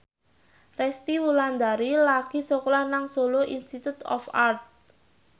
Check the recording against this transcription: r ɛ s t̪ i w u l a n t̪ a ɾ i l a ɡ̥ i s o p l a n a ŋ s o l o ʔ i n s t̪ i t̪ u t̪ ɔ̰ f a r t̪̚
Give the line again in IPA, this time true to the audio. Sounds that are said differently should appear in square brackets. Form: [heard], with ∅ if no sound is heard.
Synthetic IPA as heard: r ɛ s t̪ i w u l a n [d̪] a ɾ i l a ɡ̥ i s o [k] l a n a ŋ s o l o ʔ i n s t̪ i t̪ u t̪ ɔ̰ f a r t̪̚